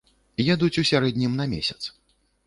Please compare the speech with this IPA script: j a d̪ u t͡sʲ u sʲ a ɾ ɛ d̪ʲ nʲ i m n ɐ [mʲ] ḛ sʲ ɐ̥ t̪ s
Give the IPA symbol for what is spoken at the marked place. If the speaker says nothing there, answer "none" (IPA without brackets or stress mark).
mʲ